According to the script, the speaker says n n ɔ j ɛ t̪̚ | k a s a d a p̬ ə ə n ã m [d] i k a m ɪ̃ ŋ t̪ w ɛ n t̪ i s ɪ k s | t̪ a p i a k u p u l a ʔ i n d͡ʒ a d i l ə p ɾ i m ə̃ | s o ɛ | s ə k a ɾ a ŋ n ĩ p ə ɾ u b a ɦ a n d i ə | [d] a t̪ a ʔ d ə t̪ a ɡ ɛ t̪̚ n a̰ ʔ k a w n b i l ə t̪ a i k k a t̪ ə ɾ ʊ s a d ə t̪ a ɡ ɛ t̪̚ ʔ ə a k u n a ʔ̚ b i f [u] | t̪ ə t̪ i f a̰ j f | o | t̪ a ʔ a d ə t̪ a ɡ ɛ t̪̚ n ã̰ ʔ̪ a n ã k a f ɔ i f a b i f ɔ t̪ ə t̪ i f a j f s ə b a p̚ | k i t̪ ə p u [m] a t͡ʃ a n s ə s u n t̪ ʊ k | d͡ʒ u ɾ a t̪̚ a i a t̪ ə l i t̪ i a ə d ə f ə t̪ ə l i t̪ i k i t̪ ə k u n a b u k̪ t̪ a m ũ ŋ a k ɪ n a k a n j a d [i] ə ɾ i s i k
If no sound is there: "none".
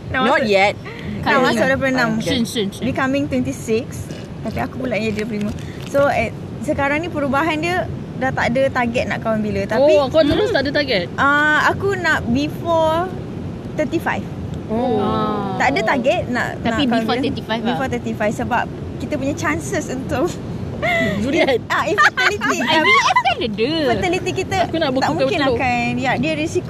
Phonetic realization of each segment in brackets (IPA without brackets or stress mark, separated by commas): b, d, ɔ, ɲ, i